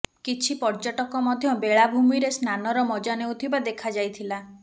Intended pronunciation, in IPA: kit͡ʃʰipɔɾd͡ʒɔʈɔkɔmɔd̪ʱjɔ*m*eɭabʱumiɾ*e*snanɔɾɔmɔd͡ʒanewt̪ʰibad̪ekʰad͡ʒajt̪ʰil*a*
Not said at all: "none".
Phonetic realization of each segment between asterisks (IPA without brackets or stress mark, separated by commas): b, e, a